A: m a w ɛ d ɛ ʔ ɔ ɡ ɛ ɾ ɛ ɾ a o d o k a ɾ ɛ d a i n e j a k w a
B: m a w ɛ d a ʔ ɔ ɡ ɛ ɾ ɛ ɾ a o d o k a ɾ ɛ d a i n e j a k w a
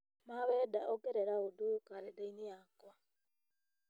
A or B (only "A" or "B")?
B